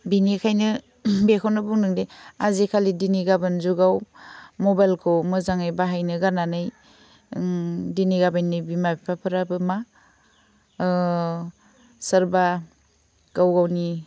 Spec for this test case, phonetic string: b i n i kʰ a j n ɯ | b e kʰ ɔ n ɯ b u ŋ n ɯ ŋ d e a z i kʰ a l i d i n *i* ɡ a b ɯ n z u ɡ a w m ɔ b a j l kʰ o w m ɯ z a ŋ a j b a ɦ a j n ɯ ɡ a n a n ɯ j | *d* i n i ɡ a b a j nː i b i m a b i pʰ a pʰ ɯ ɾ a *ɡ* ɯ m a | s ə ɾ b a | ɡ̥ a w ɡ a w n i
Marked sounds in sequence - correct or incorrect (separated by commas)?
correct, correct, incorrect